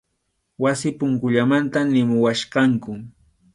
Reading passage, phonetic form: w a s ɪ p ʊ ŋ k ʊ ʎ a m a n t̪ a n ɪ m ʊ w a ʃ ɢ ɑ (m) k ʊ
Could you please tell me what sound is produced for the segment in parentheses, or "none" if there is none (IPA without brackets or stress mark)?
ŋ